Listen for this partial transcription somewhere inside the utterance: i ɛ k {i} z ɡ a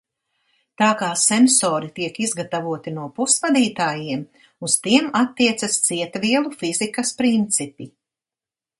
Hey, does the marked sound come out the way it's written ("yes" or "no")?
yes